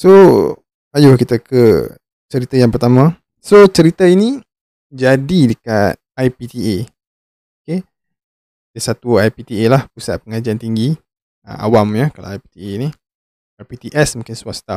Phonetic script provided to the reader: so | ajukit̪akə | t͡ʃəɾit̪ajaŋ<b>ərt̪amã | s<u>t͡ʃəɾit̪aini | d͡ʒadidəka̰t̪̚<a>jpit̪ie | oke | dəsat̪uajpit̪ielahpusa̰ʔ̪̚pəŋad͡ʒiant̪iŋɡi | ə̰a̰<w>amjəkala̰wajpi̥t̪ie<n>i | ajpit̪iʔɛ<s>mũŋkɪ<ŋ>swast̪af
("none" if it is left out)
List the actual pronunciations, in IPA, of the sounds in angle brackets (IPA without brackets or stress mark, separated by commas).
p, o, a, w, n, s, n